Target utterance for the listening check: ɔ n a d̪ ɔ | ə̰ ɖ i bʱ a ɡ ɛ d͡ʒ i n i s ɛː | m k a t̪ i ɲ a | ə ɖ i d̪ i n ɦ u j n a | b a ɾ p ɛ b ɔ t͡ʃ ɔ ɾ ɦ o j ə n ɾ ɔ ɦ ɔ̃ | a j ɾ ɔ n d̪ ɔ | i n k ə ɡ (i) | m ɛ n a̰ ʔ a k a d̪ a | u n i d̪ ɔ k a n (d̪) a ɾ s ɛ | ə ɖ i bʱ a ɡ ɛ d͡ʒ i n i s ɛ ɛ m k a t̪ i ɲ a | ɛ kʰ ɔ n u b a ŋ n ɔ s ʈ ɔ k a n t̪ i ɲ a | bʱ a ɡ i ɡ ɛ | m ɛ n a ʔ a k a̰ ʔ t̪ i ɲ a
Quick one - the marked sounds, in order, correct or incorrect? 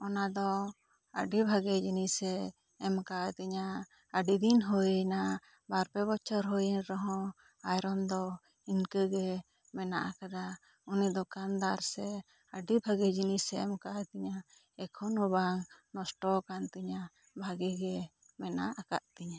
incorrect, correct

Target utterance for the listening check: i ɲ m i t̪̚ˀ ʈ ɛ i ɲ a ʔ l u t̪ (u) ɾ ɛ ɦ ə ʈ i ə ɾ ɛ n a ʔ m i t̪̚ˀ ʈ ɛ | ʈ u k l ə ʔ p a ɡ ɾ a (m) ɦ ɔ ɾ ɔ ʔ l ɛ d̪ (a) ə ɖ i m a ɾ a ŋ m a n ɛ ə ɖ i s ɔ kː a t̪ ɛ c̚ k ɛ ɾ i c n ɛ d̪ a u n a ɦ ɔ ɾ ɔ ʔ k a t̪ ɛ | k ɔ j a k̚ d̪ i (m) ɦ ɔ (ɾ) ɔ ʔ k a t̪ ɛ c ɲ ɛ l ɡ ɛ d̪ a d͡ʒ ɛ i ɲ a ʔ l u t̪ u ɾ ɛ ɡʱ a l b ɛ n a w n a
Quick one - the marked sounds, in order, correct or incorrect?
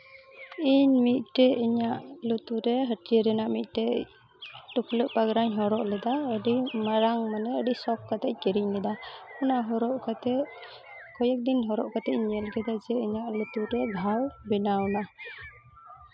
correct, incorrect, correct, incorrect, correct

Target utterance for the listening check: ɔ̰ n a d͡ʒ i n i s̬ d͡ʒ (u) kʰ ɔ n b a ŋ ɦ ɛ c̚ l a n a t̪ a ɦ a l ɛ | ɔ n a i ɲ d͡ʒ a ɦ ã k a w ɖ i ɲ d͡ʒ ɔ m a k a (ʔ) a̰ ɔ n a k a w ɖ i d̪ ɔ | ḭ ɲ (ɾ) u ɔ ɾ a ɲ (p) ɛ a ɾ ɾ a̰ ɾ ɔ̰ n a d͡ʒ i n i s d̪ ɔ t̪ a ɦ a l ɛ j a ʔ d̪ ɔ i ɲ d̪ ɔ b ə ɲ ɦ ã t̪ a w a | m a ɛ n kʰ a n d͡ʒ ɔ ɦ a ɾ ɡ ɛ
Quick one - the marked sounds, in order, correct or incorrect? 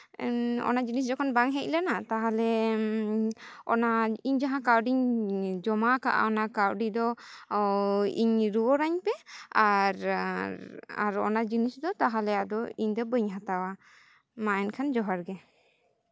incorrect, correct, correct, correct

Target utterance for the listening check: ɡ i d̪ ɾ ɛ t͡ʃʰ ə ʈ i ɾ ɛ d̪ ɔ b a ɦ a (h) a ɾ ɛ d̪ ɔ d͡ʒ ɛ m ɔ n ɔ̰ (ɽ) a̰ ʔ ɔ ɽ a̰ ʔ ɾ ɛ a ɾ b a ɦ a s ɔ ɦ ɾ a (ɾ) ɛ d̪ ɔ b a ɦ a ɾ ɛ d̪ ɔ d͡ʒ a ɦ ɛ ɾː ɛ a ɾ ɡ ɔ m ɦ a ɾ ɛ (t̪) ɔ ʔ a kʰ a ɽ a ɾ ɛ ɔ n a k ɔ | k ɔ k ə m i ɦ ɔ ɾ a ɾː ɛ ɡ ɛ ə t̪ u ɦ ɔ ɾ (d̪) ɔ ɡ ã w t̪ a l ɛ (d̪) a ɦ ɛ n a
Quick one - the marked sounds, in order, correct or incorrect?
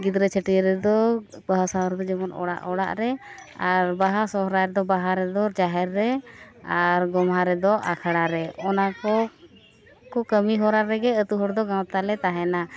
incorrect, correct, correct, incorrect, correct, incorrect

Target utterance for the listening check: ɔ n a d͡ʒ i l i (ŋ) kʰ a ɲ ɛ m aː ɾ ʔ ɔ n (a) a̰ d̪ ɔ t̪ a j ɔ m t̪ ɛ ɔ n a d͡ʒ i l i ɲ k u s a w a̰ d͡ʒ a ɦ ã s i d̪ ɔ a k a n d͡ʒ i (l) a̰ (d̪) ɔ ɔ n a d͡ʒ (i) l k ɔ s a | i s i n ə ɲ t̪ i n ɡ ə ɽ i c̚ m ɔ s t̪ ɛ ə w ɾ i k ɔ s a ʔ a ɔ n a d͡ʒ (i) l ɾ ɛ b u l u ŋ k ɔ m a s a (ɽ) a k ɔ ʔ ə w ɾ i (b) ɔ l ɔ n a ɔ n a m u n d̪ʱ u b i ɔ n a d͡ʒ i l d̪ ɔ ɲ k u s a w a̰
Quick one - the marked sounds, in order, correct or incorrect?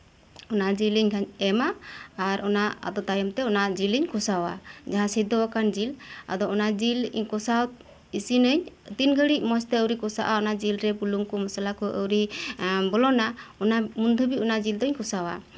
incorrect, correct, correct, correct, correct, correct, incorrect, correct

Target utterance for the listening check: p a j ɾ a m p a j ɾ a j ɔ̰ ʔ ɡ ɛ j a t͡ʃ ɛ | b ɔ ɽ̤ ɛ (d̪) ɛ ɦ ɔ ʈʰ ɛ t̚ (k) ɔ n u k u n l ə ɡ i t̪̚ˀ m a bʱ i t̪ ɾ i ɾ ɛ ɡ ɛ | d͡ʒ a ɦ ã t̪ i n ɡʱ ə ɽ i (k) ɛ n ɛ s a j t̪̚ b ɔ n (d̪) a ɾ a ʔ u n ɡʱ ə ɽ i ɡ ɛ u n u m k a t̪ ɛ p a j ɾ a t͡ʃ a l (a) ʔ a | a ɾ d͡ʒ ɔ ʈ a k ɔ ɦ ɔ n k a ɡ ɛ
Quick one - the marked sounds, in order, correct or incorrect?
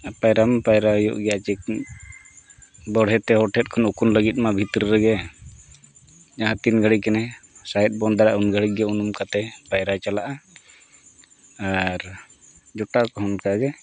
incorrect, incorrect, correct, correct, correct

